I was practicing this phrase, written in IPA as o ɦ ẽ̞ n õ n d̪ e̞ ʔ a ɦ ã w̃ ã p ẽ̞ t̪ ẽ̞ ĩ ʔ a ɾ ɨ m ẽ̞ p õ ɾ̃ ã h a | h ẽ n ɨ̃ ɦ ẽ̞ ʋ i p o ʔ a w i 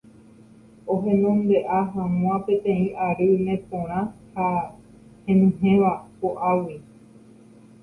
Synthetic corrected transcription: o ɦ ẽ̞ n õ n d̪ e̞ ʔ a ɦ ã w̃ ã p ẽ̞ t̪ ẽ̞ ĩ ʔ a ɾ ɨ m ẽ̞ p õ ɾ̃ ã h a | h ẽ n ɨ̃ ɦ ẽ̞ ʋ a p o ʔ a w i